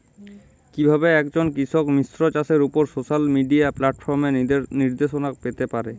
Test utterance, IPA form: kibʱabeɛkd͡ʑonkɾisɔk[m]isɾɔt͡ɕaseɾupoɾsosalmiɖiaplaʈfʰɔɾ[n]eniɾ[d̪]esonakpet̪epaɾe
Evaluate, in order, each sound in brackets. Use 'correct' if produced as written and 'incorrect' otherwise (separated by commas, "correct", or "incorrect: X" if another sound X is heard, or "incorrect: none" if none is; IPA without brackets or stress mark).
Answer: correct, incorrect: m, correct